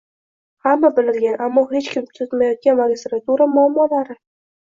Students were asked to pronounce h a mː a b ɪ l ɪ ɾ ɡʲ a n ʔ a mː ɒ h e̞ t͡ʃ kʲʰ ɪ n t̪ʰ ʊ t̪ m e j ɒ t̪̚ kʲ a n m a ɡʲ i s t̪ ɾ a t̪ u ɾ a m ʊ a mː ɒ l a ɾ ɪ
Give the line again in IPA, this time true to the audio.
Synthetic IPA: h a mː a b ɪ l ɪ ɾ ɡʲ a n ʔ a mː ɒ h e̞ t͡ʃ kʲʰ ɪ m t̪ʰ ʊ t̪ m a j ɒ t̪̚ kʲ a n m a ɡʲ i s t̪ ɾ a t̪ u ɾ a m ʊ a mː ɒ l a ɾ ɪ